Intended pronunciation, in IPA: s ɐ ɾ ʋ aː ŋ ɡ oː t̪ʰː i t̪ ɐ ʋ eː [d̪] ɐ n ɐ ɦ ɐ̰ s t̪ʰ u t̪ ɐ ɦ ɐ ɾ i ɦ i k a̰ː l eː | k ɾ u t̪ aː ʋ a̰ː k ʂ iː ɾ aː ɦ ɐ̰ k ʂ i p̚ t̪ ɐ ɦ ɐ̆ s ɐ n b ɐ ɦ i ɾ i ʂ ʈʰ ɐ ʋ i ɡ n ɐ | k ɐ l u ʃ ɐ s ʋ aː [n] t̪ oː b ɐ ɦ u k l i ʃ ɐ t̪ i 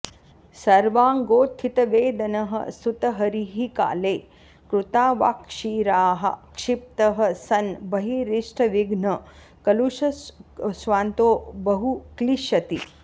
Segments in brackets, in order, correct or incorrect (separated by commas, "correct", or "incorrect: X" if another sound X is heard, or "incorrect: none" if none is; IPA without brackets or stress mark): correct, correct